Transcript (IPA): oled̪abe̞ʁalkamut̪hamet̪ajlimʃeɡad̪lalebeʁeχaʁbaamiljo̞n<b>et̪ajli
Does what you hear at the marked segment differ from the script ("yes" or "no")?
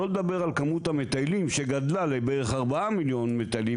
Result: yes